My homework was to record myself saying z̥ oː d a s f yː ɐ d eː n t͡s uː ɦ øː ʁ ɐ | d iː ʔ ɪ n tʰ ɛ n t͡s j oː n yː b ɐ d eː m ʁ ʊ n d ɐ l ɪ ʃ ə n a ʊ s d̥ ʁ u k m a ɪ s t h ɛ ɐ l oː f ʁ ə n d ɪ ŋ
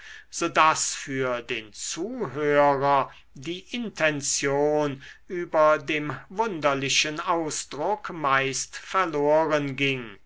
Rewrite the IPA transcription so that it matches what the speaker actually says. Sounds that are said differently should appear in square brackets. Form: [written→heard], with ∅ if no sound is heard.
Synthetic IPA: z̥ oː d a s f yː ɐ d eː n t͡s uː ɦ øː ʁ ɐ | d iː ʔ ɪ n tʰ ɛ n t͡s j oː n yː b ɐ d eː m [ʁ→v] ʊ n d ɐ l ɪ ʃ ə n a ʊ s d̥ ʁ [u→ʊ] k m a ɪ s t [h→f] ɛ ɐ l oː [f→∅] ʁ ə n [d→ɡ] ɪ ŋ

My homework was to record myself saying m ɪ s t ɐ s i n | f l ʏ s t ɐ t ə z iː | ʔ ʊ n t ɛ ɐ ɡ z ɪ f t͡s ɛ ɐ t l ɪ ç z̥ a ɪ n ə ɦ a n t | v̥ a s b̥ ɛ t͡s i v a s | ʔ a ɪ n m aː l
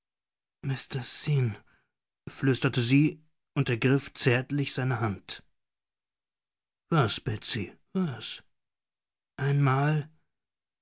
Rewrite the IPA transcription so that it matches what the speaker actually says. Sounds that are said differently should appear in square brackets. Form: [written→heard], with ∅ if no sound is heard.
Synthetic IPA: m ɪ s t ɐ s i n | f l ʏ s t ɐ t ə z iː | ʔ ʊ n t ɛ ɐ ɡ [z→ʁ] ɪ f t͡s ɛ ɐ t l ɪ ç z̥ a ɪ n ə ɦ a n t | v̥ a s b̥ ɛ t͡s i v a s | ʔ a ɪ n m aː l

